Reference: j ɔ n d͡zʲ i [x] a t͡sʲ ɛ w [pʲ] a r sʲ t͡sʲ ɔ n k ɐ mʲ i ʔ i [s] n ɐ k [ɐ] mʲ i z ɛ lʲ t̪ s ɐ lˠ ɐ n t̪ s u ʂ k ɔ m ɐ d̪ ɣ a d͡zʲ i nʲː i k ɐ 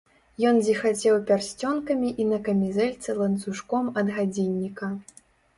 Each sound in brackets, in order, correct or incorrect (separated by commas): correct, correct, incorrect, correct